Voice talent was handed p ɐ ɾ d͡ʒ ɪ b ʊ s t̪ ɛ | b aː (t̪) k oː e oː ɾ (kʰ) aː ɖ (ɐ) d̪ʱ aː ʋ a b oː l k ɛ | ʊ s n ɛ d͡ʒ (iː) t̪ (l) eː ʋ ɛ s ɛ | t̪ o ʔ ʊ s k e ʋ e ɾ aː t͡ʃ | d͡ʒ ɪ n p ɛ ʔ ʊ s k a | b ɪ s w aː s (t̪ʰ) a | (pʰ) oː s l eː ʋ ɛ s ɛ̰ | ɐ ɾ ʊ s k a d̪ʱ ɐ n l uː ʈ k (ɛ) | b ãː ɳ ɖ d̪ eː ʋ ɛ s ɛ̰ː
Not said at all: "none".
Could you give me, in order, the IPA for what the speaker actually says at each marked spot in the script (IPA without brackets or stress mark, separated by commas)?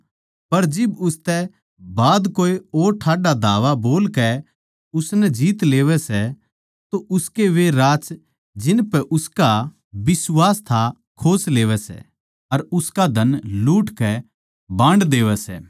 d̪, ʈʰ, a, iː, l, t̪ʰ, kʰ, ɛ